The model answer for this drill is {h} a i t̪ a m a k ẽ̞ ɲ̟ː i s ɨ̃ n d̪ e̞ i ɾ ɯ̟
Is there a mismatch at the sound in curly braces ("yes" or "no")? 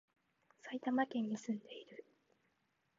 yes